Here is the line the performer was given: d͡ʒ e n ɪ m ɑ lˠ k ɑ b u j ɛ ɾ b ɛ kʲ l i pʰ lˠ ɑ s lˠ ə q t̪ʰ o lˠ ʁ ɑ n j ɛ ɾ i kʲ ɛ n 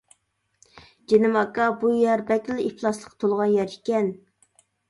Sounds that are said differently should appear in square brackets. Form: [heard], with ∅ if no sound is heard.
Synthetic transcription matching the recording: d͡ʒ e n ɪ m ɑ [∅] k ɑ b u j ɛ ɾ b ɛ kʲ l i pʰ lˠ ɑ s lˠ ə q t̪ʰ o lˠ ʁ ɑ n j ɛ ɾ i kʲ ɛ n